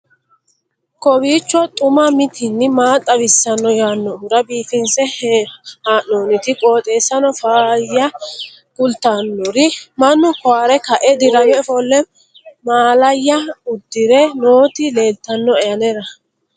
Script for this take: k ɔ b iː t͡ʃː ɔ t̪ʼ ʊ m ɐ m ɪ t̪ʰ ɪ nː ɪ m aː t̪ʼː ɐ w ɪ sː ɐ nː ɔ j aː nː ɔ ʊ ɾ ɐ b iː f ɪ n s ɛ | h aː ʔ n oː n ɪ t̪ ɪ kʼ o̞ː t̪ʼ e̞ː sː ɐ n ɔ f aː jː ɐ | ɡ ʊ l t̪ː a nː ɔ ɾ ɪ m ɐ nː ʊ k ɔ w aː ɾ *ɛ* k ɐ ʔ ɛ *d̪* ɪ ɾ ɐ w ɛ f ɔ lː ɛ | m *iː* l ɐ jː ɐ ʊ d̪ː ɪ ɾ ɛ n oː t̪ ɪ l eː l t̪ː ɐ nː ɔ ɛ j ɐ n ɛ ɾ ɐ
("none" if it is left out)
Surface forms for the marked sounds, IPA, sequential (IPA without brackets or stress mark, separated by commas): ɛ, d̪, aː